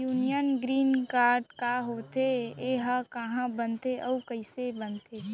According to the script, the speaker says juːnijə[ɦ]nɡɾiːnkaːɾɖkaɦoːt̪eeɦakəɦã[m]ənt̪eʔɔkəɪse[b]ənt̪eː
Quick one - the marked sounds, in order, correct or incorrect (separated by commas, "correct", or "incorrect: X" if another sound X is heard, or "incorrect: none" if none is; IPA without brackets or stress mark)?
incorrect: none, incorrect: b, correct